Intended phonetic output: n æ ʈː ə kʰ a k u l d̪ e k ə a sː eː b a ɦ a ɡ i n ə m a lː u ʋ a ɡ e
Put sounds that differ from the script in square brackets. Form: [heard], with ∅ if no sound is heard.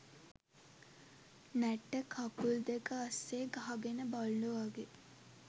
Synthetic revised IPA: n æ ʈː ə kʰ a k u l d̪ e k ə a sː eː [ɡ] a ɦ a ɡ [e] n ə [b] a lː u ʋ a ɡ e